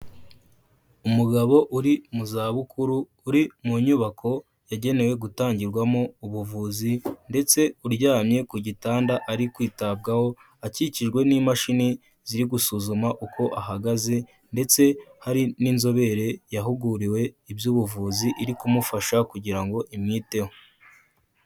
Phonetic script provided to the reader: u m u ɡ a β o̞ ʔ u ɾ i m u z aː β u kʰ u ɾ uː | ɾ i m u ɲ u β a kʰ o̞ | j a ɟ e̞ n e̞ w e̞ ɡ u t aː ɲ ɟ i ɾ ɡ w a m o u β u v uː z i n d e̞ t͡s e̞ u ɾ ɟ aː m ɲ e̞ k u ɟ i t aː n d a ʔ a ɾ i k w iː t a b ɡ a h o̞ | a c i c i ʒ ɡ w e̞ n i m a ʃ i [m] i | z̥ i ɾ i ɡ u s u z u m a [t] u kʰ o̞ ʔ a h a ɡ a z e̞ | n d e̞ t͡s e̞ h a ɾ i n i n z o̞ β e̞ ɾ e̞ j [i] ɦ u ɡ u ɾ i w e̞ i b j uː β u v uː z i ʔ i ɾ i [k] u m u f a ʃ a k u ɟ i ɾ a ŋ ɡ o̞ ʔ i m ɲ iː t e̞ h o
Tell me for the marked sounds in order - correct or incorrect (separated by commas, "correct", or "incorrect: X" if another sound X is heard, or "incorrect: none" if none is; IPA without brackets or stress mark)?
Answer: incorrect: n, incorrect: ʔ, incorrect: a, correct